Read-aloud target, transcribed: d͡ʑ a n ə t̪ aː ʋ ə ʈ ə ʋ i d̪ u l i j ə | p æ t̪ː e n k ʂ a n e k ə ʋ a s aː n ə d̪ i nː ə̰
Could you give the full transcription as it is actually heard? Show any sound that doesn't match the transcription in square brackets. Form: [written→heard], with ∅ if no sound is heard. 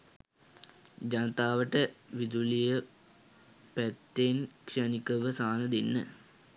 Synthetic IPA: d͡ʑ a n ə t̪ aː ʋ ə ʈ ə ʋ i d̪ u l i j ə | p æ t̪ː e n k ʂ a n [e→i] k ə ʋ [a→ə] s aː n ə d̪ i nː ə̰